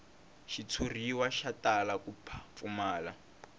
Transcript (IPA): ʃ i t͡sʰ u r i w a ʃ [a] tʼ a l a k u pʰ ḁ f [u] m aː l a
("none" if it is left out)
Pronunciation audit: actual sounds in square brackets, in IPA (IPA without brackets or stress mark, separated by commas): a, u